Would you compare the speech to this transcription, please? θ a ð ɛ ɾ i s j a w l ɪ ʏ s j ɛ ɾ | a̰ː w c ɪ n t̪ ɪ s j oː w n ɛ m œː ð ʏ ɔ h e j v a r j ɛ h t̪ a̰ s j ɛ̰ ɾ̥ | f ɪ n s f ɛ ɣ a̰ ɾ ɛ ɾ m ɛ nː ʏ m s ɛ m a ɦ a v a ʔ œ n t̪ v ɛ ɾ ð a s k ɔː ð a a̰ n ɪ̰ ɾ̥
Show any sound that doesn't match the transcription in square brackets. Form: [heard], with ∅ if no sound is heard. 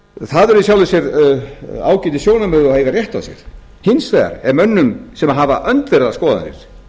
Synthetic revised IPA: θ a ð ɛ ɾ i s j a w l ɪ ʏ s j ɛ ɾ | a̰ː w c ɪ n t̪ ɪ s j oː w n [a] m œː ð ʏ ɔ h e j [ɣ] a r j ɛ h t̪ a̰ s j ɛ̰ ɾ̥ | [h] ɪ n s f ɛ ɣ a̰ ɾ ɛ ɾ m [œ] nː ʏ m s ɛ m a ɦ a v a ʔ œ n t̪ v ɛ ɾ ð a s k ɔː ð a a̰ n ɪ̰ ɾ̥